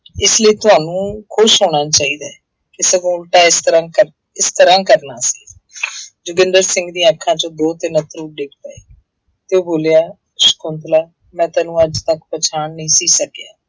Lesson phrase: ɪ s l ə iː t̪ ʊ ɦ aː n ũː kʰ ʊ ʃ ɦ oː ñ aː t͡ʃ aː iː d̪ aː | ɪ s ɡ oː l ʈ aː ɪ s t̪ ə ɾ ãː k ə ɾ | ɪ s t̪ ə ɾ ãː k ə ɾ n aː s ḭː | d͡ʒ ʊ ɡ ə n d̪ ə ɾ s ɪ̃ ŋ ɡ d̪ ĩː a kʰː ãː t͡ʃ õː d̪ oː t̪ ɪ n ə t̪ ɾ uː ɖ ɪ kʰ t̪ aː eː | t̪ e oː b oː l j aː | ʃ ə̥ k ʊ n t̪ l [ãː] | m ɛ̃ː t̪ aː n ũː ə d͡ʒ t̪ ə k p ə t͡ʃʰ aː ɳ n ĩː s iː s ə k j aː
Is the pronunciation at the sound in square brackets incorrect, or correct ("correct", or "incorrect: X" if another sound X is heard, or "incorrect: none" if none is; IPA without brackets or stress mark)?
incorrect: aː